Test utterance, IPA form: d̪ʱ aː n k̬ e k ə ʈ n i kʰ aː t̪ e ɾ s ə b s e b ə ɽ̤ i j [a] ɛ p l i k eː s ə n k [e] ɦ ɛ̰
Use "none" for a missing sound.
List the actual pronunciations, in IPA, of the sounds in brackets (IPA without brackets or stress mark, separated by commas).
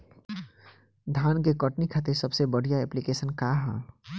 a, a